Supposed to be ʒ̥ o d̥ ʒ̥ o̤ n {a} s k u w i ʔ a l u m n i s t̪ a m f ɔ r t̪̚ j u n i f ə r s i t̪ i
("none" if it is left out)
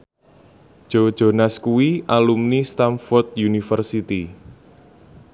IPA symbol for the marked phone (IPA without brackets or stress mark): a